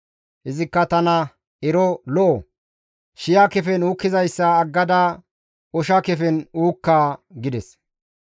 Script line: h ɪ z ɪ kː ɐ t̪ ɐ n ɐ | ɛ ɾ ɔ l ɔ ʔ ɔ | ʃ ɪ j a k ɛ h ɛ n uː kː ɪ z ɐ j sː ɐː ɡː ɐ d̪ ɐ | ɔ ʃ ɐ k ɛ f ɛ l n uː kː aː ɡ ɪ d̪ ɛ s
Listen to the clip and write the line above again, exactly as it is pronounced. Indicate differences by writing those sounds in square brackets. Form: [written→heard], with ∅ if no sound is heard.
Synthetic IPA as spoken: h ɪ z ɪ kː ɐ t̪ ɐ n ɐ | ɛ ɾ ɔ l ɔ ʔ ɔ | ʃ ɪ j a k ɛ [h→f] ɛ n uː kː ɪ z ɐ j sː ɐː ɡː ɐ d̪ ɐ | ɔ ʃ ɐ k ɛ f ɛ [l→∅] n uː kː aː ɡ ɪ d̪ ɛ s